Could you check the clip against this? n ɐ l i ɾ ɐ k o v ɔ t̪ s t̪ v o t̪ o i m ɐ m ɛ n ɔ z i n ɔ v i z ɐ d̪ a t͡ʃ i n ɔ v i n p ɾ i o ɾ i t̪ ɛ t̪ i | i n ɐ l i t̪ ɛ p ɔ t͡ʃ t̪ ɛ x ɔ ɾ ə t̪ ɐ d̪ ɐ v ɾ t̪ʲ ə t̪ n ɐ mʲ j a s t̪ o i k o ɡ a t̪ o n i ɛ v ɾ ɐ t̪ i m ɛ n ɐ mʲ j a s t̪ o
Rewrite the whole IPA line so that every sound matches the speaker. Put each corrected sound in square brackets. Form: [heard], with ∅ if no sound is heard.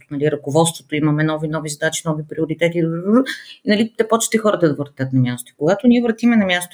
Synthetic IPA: n ɐ l i ɾ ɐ k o v ɔ t̪ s t̪ v o t̪ o i m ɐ m ɛ n ɔ [v] i n ɔ v i z ɐ d̪ a t͡ʃ i n ɔ v i [∅] p ɾ i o ɾ i t̪ ɛ t̪ i | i n ɐ l i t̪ ɛ p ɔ t͡ʃ t̪ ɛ x ɔ ɾ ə t̪ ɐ d̪ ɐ v ɾ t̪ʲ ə t̪ n ɐ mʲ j a s t̪ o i k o ɡ a t̪ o n i ɛ v ɾ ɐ t̪ i m ɛ n ɐ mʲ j a s t̪ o